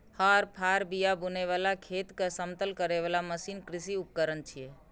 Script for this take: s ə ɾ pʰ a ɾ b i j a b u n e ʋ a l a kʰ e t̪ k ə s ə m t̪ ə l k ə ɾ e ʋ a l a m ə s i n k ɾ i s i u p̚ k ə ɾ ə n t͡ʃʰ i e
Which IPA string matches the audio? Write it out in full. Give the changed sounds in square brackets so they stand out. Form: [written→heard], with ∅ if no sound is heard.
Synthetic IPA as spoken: [s→h] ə ɾ pʰ a ɾ b i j a b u n e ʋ a l a kʰ e t̪ k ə s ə m t̪ ə l k ə ɾ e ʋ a l a m ə s i n k ɾ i s i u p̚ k ə ɾ ə n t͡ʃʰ i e